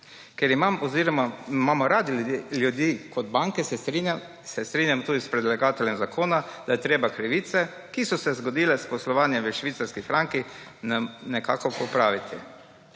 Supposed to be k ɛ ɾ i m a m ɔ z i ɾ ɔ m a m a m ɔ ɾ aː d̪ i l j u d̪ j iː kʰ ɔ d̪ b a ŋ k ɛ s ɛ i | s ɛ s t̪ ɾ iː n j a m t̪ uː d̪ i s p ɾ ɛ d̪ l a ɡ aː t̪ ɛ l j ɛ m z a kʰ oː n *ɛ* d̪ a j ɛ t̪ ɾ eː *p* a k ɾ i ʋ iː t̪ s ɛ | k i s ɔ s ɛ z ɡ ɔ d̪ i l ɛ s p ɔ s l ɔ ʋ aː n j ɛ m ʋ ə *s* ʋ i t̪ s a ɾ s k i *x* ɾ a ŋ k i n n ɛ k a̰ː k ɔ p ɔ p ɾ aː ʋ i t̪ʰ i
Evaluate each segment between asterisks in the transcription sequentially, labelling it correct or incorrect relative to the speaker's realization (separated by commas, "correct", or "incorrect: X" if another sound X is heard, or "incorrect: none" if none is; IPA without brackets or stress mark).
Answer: incorrect: a, incorrect: b, incorrect: ʃ, incorrect: f